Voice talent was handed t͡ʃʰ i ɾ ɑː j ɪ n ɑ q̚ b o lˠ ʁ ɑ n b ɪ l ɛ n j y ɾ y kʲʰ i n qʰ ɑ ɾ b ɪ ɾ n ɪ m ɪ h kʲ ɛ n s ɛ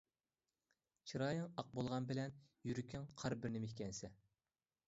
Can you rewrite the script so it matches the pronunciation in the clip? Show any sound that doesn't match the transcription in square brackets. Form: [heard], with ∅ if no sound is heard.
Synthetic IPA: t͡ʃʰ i ɾ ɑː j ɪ [ŋ] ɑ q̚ b o lˠ ʁ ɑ n b ɪ l ɛ n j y ɾ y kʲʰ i [ŋ] qʰ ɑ ɾ b ɪ ɾ n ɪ m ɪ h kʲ ɛ n s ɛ